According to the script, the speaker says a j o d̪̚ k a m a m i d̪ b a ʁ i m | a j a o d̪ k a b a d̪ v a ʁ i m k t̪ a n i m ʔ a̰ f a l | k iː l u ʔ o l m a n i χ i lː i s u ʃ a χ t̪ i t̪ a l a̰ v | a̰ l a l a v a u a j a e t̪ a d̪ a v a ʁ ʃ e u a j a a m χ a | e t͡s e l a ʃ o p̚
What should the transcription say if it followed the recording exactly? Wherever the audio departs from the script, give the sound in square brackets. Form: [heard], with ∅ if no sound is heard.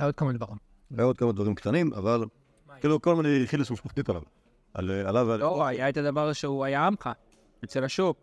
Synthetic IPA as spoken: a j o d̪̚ k a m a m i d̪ b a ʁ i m | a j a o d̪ k a [m] a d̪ v a ʁ i m k t̪ a n i m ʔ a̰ [v] a l | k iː l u [k] o l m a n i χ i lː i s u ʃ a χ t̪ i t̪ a l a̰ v | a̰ l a l a v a [o] a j a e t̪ a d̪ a v a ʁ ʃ e u a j a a m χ a | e t͡s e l a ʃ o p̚